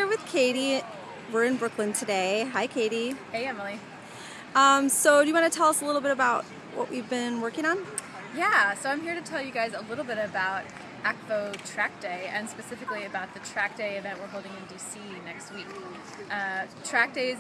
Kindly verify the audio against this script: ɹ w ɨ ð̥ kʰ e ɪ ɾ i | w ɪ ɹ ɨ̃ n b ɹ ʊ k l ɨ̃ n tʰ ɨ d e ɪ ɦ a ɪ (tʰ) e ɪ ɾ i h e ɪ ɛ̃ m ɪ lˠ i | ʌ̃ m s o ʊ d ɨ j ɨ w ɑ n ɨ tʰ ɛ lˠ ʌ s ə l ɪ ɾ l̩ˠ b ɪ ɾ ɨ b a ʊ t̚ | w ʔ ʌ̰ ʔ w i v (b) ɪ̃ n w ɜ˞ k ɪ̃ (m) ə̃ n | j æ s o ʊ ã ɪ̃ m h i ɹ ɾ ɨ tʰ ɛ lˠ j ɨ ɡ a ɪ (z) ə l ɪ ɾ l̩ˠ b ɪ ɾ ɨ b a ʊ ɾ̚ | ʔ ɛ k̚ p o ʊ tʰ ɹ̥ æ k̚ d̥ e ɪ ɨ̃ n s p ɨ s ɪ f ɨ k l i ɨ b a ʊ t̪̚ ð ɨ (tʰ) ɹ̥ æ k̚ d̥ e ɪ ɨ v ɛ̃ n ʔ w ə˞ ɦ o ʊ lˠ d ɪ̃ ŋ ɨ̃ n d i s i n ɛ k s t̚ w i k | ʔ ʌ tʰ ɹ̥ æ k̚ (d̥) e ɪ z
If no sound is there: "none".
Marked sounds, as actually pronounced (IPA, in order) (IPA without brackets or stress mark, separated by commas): kʰ, b, ŋ, z, tʰ, d̥